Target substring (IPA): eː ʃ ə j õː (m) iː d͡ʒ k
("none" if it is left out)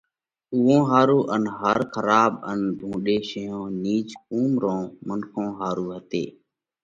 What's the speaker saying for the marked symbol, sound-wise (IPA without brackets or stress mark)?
n